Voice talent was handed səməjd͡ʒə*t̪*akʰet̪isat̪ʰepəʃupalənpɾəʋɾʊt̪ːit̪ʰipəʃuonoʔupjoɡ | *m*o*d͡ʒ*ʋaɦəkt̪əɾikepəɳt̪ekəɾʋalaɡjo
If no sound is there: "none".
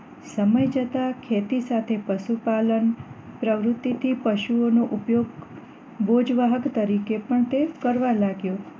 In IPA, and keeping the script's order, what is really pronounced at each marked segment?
t̪, b, d͡ʒ

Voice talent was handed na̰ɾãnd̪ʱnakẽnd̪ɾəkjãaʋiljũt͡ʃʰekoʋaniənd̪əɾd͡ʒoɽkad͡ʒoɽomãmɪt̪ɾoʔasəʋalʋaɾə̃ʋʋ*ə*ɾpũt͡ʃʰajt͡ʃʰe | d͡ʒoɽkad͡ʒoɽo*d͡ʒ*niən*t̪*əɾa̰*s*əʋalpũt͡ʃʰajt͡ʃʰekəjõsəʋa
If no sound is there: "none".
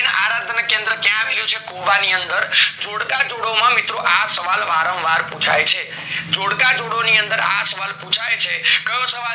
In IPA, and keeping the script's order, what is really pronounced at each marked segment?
a, none, d̪, s

